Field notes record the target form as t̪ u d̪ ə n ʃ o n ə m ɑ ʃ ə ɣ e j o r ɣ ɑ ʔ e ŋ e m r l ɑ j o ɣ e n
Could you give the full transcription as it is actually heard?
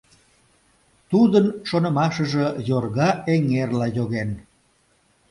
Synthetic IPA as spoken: t̪ u d̪ ə n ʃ o n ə m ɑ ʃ ə ʒ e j o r ɣ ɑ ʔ e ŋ e r l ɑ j o ɣ e n